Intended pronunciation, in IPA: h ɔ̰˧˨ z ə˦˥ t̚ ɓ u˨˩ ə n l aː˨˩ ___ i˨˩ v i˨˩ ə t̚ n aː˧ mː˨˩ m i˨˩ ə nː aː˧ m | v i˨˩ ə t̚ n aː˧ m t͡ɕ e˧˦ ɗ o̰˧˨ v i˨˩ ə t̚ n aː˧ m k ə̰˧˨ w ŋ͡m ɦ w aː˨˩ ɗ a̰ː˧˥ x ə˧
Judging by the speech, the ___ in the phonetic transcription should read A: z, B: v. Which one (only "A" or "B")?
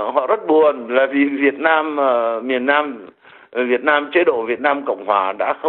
B